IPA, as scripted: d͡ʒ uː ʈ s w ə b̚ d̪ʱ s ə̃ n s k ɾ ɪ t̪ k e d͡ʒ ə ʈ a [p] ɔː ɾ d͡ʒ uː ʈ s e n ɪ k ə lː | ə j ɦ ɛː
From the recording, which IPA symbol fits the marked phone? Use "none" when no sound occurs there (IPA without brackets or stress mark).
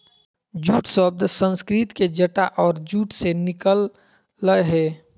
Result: ʔ